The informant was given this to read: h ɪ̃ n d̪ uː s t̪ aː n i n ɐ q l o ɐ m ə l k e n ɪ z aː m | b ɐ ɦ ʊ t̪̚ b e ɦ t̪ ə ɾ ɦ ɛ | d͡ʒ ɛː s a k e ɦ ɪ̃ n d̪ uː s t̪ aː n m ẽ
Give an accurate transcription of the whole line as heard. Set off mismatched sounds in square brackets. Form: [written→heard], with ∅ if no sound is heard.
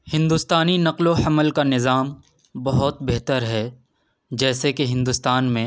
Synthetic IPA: h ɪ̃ n d̪ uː s t̪ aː n i n ɐ q l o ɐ m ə l k [e→a] n ɪ z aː m | b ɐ ɦ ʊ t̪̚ b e ɦ t̪ ə ɾ ɦ ɛ | d͡ʒ ɛː s [a→e] k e ɦ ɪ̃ n d̪ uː s t̪ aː n m ẽ